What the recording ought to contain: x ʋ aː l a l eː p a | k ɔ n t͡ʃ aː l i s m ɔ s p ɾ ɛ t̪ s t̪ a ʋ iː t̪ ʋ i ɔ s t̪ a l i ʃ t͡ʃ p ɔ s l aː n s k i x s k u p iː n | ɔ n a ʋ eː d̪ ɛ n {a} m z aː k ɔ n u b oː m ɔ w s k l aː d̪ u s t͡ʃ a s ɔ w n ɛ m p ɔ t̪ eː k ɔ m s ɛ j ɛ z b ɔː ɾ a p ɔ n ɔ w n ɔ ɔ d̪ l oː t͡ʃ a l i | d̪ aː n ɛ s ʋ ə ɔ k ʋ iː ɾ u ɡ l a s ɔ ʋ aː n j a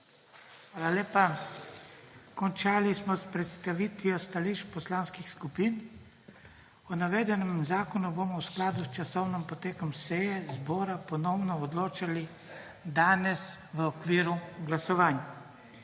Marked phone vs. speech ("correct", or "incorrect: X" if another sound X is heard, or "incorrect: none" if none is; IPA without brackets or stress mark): incorrect: ɛ